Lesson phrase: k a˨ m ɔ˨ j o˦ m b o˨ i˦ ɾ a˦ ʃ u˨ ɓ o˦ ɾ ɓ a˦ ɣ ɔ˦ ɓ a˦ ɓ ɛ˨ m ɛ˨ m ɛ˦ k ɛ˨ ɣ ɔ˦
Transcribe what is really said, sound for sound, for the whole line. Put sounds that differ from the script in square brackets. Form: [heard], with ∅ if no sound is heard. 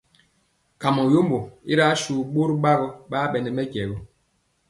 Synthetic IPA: k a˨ m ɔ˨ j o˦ m b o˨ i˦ ɾ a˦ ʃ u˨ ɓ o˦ ɾ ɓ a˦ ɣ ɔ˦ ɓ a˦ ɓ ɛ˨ [n] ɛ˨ m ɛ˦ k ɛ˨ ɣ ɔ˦